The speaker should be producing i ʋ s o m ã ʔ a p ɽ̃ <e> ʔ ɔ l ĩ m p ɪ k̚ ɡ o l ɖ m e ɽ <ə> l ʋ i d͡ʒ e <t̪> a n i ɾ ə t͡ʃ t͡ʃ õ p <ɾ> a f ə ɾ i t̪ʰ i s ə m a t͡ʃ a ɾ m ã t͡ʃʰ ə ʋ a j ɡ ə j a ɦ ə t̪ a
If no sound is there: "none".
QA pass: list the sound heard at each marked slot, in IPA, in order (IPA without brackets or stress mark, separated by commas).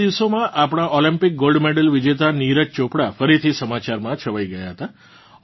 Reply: a, ə, t̪, ɽ